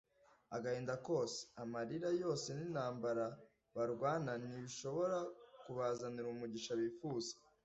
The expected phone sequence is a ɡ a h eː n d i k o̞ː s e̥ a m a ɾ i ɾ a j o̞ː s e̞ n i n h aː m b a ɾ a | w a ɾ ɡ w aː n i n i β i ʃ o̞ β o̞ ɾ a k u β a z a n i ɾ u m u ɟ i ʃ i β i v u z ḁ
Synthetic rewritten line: a ɡ a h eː n d a k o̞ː s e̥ a m a ɾ i ɾ a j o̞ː s e̞ n i n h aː m b a ɾ a | β a ɾ ɡ w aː n a n i β i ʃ o̞ β o̞ ɾ a k u β a z a n i ɾ u m u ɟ i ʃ a β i f u z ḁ